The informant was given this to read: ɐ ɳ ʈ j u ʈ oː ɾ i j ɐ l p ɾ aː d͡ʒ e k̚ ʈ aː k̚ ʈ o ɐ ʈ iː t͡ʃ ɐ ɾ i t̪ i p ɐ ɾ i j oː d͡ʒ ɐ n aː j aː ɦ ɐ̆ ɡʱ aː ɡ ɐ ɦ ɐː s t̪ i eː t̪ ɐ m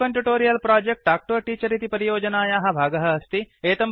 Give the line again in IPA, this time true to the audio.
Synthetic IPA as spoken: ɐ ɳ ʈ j u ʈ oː ɾ i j ɐ l p ɾ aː d͡ʒ e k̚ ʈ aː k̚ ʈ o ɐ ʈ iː t͡ʃ ɐ ɾ i t̪ i p ɐ ɾ i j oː d͡ʒ ɐ n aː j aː ɦ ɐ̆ bʱ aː ɡ ɐ ɦ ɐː s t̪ i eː t̪ ɐ m